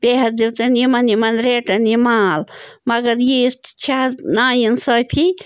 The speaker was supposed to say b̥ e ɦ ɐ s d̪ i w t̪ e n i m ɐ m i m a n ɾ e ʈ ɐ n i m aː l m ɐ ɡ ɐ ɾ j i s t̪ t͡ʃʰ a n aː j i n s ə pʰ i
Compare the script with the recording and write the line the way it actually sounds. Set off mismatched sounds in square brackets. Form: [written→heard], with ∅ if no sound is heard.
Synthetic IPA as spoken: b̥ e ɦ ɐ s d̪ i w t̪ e n i m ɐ [m→n] i m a n ɾ e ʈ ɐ n i m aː l m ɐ ɡ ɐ ɾ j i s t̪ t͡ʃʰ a n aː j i n s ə pʰ i

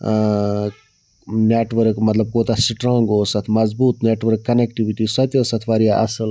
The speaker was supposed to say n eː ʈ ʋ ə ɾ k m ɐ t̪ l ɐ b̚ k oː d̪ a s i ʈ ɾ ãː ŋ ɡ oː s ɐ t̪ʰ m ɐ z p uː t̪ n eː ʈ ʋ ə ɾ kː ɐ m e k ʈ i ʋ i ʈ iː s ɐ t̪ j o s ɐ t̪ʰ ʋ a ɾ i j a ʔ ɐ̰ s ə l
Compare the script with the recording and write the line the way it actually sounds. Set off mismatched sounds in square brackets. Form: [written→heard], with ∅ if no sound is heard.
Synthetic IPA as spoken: n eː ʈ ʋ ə ɾ k m ɐ t̪ l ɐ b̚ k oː [d̪→t̪] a s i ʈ ɾ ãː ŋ ɡ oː s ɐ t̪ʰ m ɐ z [p→b] uː t̪ n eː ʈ ʋ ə ɾ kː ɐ [m→n] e k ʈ i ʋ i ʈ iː s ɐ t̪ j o s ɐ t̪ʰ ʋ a ɾ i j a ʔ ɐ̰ s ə l

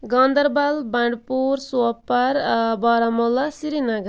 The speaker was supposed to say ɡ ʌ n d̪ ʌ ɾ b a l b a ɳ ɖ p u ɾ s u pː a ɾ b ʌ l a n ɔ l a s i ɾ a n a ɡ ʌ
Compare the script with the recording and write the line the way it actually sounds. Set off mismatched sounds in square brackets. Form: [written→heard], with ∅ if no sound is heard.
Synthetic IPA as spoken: ɡ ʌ n d̪ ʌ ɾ b a l b a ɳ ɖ p u ɾ s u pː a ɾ b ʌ [l→ɾ] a [n→m] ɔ l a s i ɾ [a→i] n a ɡ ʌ

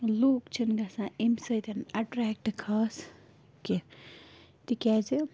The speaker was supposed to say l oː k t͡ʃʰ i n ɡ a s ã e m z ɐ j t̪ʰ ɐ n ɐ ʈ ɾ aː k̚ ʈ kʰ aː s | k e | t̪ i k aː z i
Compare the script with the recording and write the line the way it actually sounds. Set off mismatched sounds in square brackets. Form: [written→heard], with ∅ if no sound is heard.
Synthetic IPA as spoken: l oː k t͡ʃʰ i n ɡ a s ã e m [z→s] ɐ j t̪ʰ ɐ n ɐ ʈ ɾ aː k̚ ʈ kʰ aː s | k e | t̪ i k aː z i

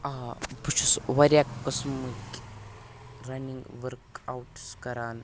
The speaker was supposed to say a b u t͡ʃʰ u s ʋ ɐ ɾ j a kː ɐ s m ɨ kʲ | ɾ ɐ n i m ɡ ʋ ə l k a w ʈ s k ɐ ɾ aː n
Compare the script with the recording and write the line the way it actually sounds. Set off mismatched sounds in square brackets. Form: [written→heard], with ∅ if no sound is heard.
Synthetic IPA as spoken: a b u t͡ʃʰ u s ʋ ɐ ɾ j a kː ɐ s m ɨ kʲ | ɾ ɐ n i [m→ŋ] ɡ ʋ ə [l→ɾ] k a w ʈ s k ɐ ɾ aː n

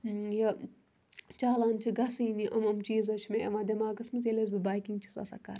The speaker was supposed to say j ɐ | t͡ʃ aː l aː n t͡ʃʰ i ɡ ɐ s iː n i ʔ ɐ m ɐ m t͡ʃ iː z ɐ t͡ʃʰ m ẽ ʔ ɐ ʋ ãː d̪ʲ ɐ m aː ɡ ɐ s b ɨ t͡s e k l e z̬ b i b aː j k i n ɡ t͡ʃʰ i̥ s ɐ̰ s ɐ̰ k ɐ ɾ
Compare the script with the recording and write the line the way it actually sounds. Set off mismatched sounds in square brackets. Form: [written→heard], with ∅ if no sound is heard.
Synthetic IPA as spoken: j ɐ | t͡ʃ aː l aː n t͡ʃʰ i ɡ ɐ s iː n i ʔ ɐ m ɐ m t͡ʃ iː z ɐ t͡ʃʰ m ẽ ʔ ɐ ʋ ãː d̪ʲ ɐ m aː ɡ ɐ s [b→m] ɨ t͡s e [k→∅] l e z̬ b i b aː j k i [n→ŋ] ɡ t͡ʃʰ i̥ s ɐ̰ s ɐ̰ k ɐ ɾ

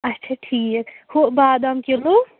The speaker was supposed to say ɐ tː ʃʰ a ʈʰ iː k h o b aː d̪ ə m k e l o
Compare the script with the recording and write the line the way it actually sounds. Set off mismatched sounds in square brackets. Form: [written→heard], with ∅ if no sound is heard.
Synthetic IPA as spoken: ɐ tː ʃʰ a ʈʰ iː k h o b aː d̪ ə m k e l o

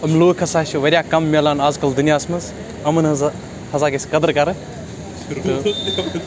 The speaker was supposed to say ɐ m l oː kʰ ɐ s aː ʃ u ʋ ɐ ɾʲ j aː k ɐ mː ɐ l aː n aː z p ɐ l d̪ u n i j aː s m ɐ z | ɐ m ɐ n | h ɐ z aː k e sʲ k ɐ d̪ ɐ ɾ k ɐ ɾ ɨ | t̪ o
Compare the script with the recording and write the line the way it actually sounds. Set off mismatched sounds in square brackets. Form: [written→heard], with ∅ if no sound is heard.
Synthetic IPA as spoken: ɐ m l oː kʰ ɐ s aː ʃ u ʋ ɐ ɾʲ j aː k ɐ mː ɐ l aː n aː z [p→k] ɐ l d̪ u n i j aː s m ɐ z | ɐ m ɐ n | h ɐ z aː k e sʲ k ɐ d̪ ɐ ɾ k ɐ ɾ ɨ | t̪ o

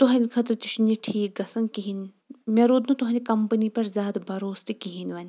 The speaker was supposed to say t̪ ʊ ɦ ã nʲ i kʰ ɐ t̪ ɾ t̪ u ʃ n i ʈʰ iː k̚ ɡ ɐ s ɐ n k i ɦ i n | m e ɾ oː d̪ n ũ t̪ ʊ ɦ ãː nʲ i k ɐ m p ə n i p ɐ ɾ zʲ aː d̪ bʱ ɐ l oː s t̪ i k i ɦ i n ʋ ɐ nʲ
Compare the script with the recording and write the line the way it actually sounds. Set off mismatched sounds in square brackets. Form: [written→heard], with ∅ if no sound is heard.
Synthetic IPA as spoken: t̪ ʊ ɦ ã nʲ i kʰ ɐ t̪ ɾ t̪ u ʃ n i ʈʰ iː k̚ ɡ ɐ s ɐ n k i ɦ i n | m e ɾ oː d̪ n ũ t̪ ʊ ɦ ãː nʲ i k ɐ m p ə n i p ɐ ɾ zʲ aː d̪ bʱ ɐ [l→ɾ] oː s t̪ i k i ɦ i n ʋ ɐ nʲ

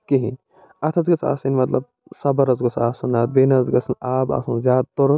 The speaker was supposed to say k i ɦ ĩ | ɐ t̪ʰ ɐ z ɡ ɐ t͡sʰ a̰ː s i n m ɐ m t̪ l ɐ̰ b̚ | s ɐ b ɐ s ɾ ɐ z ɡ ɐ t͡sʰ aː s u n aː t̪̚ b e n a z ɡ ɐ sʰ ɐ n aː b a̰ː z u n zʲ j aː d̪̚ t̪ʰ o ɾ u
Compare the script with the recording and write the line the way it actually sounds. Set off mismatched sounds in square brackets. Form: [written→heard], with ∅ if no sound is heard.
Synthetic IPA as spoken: k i ɦ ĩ | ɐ t̪ʰ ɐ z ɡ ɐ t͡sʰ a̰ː s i n m ɐ [m→∅] t̪ l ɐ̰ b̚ | s ɐ b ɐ [s→∅] ɾ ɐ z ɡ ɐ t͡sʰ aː s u n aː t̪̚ b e n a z ɡ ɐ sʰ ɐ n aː b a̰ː [z→s] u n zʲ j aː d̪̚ [t̪ʰ→t̪] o ɾ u

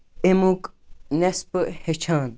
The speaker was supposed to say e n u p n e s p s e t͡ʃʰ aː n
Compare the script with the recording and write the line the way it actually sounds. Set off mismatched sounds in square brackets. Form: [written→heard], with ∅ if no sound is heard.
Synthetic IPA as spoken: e [n→m] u [p→k] n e s p [s→h] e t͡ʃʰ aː n

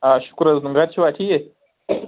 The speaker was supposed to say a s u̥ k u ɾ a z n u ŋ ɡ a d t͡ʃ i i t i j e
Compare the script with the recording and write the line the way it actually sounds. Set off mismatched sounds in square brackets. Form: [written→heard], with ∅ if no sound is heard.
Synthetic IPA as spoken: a [s→ʃ] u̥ k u ɾ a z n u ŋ ɡ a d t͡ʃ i [i→a] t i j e

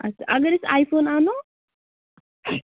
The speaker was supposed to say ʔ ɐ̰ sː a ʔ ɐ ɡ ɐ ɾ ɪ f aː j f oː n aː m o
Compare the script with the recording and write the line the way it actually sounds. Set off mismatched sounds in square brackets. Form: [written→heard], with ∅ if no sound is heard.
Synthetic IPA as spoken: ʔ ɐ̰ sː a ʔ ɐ ɡ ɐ ɾ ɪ [f→s] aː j f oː n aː [m→n] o

